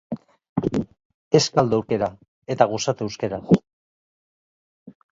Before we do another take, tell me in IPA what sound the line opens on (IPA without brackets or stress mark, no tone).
e̞